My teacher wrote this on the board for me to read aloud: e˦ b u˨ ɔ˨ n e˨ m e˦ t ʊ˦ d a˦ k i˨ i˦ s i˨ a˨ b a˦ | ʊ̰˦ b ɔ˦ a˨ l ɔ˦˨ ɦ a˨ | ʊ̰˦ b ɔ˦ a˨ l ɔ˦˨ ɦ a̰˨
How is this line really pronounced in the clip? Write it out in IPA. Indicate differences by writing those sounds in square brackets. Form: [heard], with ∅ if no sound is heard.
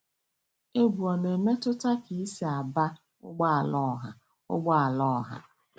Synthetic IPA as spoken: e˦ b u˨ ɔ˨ n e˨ m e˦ t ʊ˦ [t] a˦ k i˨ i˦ s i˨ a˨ b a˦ | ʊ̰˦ [ɡ͡b] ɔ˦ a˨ l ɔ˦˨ ɦ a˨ | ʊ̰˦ [ɡ͡b] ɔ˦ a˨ l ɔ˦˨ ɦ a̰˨